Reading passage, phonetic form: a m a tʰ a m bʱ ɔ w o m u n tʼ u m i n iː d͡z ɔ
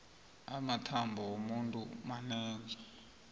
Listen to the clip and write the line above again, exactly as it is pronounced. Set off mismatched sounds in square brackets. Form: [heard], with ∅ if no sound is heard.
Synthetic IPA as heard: a m a tʰ a m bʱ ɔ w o m u n tʼ u m [a] n [ɛː] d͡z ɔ